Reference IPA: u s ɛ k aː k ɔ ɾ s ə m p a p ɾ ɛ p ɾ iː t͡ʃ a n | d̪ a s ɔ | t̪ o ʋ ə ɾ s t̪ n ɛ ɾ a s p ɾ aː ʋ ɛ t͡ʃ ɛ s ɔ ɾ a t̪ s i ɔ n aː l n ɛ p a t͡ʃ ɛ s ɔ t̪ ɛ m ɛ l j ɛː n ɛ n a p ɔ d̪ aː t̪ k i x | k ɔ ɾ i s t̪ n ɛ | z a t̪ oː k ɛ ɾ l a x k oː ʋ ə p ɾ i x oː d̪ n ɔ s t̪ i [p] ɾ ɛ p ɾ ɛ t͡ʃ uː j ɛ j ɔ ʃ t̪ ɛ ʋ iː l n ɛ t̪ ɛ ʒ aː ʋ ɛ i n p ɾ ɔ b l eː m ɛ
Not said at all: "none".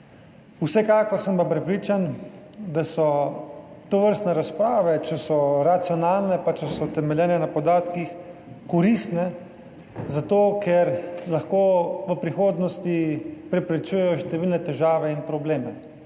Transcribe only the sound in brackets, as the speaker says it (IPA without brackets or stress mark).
p